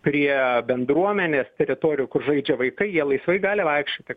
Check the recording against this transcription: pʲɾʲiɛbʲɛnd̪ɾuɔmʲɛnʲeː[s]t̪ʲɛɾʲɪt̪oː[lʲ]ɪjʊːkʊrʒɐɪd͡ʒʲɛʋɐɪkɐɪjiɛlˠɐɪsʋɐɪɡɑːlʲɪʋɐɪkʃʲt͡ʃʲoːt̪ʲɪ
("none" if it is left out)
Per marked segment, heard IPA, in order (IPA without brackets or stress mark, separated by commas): s, ɾʲ